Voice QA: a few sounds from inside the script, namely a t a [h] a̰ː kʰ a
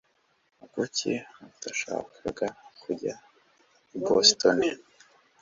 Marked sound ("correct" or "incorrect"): incorrect